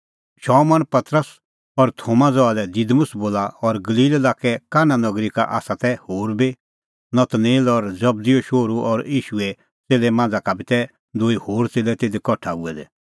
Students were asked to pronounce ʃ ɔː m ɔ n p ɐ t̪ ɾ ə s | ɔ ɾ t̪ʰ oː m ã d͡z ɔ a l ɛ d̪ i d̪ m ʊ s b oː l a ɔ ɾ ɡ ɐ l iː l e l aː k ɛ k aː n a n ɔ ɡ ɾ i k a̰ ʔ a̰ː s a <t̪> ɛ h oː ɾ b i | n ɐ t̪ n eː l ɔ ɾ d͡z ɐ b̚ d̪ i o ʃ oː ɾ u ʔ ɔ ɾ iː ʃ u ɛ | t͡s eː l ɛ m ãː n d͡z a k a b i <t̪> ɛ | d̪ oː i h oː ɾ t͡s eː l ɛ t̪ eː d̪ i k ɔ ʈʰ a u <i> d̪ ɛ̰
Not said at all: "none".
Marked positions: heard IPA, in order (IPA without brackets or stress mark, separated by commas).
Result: t̪, t̪, ɛ